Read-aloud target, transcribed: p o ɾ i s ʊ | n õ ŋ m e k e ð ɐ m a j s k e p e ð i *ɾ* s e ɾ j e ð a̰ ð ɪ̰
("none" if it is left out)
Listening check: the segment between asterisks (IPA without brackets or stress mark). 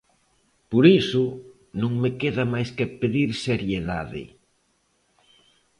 ɾ